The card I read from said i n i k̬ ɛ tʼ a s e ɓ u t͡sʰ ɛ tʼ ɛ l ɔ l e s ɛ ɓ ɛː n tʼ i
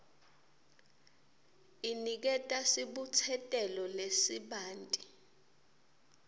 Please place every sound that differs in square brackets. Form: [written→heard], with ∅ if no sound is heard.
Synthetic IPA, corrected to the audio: i n i k̬ ɛ tʼ a s [e→i] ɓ u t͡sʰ ɛ tʼ ɛ l ɔ l e s [ɛ→i] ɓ [ɛː→aː] n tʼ i